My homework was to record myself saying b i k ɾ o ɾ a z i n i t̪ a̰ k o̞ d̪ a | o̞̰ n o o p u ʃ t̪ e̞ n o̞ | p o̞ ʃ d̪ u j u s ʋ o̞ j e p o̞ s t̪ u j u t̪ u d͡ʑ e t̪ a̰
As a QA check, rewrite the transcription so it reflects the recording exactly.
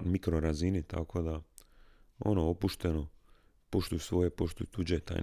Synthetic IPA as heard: m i k ɾ o ɾ a z i n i t̪ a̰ k o̞ d̪ a | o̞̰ n o o p u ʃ t̪ e̞ n o̞ | p o̞ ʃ t̪ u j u s ʋ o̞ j e p o̞ ʃ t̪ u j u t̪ u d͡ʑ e t̪ a̰